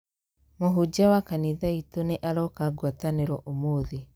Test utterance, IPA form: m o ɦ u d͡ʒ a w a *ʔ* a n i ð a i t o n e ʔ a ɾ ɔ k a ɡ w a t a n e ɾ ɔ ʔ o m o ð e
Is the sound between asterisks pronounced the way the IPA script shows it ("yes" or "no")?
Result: no